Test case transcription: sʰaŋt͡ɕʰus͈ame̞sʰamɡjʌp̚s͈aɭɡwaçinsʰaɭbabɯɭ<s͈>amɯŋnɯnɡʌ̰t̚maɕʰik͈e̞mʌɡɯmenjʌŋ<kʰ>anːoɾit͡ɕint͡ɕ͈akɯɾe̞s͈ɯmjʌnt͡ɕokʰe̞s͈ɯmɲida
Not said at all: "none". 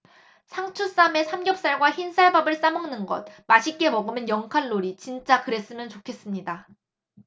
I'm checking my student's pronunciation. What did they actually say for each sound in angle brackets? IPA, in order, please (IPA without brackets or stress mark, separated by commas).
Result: s͈, kʰ